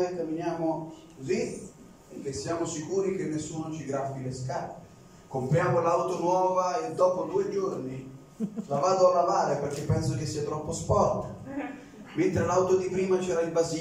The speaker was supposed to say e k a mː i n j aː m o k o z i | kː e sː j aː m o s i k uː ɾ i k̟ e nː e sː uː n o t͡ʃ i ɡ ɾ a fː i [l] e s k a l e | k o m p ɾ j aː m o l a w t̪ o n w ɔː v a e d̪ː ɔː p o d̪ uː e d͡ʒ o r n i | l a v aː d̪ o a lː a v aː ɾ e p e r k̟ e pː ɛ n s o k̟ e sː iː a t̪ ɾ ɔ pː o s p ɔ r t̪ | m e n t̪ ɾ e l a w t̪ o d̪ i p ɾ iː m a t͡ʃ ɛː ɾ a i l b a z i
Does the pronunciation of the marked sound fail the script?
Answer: no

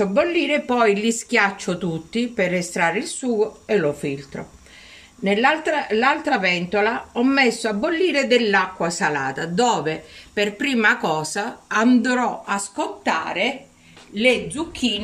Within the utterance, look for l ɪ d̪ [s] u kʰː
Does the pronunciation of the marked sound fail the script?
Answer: yes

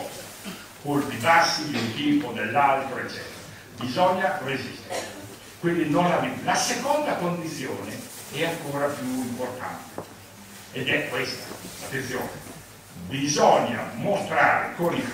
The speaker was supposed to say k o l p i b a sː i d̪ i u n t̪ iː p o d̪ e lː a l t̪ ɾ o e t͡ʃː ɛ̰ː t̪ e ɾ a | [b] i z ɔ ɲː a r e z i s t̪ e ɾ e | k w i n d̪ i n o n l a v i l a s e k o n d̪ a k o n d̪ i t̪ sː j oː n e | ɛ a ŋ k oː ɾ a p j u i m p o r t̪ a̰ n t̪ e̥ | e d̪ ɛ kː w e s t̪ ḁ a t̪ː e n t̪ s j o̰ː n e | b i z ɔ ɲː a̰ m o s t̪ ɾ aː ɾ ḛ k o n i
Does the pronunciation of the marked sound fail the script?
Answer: no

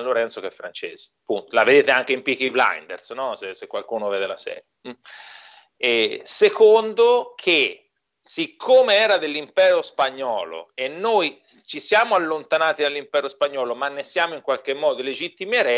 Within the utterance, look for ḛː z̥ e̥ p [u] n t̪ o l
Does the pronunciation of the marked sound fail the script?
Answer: no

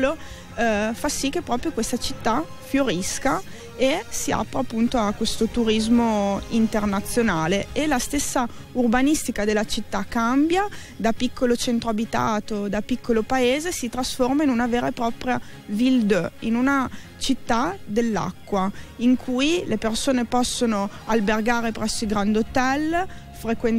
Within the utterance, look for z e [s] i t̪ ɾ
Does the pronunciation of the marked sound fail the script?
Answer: no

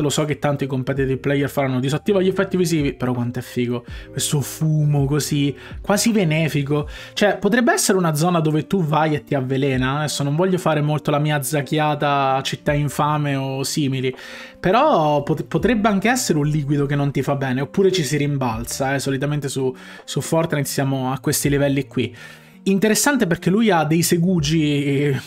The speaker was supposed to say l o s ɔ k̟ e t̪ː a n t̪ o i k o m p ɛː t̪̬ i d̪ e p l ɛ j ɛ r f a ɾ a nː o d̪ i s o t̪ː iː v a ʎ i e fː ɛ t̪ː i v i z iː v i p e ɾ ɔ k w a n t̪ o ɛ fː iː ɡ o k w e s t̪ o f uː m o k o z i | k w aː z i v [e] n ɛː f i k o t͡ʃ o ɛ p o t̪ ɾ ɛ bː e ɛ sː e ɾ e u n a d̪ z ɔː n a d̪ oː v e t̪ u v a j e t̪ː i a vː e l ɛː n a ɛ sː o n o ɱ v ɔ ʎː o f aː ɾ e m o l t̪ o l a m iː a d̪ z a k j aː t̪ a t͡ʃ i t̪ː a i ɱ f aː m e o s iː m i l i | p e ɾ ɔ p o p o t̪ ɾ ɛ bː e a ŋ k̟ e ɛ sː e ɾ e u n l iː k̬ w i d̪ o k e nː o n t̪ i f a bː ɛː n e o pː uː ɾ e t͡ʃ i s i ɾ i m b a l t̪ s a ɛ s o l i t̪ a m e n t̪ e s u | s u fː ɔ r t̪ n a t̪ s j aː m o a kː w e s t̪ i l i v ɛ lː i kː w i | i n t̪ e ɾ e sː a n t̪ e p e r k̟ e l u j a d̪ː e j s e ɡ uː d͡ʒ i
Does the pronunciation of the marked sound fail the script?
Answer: no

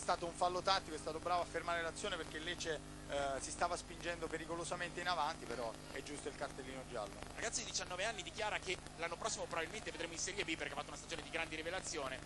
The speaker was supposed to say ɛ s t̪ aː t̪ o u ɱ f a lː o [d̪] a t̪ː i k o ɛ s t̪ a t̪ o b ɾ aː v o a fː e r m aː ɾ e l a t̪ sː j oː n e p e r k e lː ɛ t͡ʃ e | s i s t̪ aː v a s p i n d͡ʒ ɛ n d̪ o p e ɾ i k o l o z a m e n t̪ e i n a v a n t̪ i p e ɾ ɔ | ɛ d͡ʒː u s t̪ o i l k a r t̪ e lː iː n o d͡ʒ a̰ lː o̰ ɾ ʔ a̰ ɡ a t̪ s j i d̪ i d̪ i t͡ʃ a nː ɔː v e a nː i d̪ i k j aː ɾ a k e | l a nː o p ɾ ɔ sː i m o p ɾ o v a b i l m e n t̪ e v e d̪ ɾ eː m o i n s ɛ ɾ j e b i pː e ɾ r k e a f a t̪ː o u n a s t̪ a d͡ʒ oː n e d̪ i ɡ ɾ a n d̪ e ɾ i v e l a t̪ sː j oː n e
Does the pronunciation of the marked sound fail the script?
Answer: yes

